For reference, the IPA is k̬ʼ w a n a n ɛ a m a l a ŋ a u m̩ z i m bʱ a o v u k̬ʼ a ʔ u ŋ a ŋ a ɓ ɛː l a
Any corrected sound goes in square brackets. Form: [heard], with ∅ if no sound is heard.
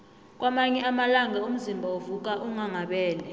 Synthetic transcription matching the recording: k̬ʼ w a [m] a [ɲ] ɛ a m a l a ŋ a u m̩ z i m bʱ a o v u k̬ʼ a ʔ u ŋ a ŋ a ɓ ɛː l [ɛ]

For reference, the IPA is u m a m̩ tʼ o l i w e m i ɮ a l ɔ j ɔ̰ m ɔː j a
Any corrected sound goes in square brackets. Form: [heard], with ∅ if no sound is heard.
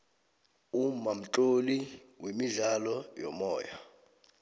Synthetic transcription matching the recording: u m a m̩ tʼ o l i w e m i ɮ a l ɔ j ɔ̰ m ɔː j a

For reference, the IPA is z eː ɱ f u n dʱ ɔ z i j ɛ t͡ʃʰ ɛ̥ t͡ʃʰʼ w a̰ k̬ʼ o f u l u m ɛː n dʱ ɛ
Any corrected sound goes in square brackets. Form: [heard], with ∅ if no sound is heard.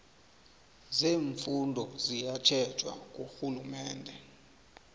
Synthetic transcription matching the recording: z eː ɱ f u n dʱ ɔ z i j [a] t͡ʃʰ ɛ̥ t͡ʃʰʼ w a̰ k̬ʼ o [x] u l u m ɛː n dʱ ɛ

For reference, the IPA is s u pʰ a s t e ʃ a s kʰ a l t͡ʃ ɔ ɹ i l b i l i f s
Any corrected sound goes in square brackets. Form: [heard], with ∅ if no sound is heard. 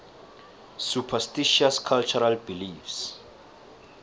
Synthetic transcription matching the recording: s u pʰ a s t [i] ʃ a s kʰ a l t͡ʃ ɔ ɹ [a] l b i l i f s

